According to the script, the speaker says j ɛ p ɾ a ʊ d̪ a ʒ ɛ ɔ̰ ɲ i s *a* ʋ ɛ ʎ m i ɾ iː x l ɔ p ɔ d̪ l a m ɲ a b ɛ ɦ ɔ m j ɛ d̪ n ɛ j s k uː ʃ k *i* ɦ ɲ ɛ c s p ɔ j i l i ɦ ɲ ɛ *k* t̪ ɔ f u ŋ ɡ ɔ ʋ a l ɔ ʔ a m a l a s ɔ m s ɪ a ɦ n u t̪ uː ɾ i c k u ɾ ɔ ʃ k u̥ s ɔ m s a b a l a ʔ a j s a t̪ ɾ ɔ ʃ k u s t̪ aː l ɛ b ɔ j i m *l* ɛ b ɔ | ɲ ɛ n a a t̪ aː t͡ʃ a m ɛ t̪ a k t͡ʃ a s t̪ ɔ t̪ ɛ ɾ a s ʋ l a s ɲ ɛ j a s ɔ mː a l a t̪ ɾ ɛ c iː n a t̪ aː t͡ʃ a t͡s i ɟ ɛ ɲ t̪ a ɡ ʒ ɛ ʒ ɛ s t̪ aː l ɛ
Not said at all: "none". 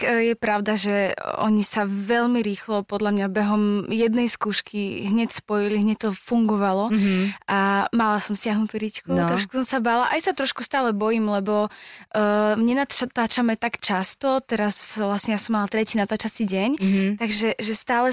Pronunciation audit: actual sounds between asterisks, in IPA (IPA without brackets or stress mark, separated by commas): a, i, c, l